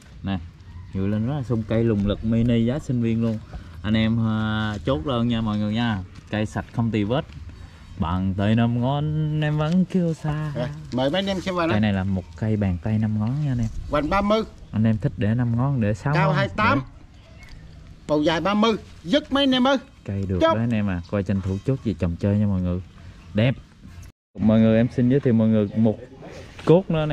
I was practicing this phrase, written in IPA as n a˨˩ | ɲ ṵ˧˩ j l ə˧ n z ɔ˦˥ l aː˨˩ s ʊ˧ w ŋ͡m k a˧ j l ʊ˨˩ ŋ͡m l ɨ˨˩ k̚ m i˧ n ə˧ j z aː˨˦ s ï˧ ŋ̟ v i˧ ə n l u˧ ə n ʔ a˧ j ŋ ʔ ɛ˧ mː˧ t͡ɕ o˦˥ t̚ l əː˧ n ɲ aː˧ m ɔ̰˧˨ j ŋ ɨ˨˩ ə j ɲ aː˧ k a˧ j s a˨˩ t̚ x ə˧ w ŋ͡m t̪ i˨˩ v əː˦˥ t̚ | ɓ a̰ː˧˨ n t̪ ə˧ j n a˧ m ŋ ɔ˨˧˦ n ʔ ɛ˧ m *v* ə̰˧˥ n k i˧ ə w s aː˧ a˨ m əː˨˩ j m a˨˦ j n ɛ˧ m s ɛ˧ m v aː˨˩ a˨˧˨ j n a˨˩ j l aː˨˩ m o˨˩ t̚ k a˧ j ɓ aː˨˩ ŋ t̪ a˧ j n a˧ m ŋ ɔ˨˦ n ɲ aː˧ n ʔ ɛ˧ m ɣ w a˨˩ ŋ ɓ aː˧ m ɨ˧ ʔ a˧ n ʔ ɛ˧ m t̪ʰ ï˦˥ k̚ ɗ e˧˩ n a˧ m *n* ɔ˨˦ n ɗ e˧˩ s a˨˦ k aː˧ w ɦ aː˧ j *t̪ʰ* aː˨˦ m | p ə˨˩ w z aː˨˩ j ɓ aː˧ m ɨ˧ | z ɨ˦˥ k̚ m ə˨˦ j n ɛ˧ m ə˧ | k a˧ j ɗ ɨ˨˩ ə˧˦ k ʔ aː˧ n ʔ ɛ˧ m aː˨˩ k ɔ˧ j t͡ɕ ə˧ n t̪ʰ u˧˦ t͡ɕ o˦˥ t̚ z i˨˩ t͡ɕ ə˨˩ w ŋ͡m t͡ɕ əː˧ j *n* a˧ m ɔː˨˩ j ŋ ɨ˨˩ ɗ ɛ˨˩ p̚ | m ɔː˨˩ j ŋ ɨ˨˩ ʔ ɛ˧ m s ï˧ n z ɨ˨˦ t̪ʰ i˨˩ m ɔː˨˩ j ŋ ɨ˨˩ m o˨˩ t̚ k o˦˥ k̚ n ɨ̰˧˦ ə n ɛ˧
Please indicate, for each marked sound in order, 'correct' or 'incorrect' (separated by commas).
correct, incorrect, incorrect, incorrect